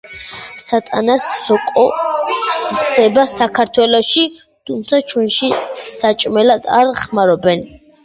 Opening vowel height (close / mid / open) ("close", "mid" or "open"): open